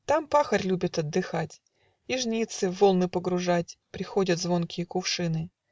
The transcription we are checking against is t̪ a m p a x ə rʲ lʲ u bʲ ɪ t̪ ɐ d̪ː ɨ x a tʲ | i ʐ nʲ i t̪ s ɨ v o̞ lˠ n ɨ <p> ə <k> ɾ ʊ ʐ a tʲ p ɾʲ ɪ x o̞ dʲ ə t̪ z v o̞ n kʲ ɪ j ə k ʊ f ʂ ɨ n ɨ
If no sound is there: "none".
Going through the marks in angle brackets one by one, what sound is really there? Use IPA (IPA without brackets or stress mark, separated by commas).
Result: p, ɡ